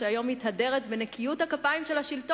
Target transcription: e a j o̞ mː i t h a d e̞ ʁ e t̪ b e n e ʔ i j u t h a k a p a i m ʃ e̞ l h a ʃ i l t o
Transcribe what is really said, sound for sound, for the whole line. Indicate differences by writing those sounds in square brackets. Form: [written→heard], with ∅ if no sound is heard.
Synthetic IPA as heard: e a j o̞ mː i t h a d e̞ ʁ e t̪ b e n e [ʔ→k] i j u t h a k a p a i m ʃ e̞ l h a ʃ i l t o